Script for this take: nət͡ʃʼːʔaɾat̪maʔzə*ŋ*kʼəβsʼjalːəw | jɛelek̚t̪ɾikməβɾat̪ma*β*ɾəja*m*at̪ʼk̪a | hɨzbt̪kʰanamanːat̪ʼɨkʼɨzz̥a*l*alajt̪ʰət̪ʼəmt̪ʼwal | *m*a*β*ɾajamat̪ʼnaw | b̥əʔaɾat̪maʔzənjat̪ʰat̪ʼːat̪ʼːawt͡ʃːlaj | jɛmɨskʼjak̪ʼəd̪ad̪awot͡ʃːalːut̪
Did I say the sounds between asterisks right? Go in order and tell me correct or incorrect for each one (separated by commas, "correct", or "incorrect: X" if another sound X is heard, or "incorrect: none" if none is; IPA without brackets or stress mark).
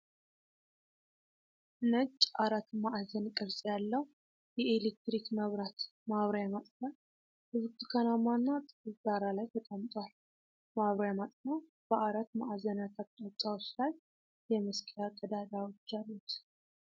incorrect: n, correct, correct, incorrect: ɾ, correct, correct